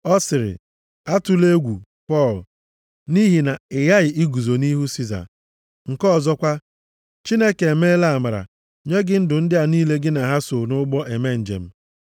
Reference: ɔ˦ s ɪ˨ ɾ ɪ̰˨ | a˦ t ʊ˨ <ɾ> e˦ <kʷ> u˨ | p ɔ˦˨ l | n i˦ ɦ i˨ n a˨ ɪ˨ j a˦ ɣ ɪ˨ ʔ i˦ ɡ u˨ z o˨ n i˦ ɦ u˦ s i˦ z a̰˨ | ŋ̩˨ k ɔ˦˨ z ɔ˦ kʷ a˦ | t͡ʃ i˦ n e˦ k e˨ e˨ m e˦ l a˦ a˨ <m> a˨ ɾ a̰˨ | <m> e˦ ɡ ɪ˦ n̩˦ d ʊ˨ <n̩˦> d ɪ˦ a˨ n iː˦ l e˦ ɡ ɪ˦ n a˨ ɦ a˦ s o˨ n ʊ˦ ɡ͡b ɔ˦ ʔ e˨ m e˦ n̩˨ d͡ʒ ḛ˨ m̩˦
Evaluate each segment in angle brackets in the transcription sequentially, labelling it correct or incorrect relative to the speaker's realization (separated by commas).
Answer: incorrect, incorrect, correct, incorrect, correct